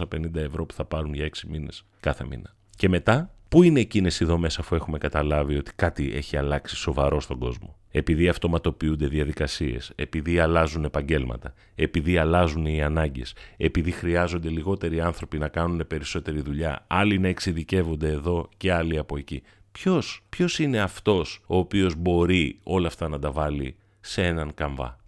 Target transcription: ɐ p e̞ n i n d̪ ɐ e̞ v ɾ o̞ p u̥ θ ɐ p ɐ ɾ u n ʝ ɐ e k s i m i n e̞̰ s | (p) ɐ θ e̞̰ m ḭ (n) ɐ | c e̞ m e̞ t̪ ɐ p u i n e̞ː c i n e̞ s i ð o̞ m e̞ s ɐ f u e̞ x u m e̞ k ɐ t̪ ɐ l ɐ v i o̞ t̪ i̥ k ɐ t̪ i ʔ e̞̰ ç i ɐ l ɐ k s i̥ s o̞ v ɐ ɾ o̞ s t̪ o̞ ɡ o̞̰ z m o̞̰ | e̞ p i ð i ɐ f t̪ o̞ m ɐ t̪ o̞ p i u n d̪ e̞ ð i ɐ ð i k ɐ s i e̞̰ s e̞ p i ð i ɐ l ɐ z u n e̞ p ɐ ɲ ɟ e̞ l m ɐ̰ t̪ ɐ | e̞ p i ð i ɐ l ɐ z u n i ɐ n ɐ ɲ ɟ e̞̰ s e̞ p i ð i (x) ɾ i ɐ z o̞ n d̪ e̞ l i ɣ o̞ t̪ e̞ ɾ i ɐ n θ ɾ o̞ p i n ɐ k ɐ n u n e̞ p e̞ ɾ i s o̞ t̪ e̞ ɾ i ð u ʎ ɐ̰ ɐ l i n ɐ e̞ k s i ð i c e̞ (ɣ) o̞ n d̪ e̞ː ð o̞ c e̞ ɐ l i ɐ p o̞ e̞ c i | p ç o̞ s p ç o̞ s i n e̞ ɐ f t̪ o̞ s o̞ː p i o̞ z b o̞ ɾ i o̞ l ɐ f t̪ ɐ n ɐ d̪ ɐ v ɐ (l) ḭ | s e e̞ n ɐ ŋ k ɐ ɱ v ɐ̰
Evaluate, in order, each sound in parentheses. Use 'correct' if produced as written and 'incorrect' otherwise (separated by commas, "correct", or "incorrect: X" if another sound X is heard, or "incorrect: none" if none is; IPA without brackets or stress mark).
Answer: incorrect: k, correct, correct, incorrect: v, correct